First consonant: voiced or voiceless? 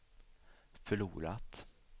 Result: voiceless